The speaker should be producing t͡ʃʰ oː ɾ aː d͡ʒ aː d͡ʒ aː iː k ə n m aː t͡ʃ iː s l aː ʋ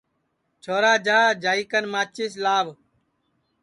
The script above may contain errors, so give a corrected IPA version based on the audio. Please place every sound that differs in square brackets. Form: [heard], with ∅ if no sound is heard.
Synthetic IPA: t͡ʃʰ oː ɾ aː d͡ʒ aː d͡ʒ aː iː k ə n m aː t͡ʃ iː s l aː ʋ